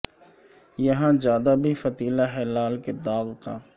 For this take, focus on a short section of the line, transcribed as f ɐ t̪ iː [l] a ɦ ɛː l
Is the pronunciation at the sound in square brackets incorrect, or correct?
correct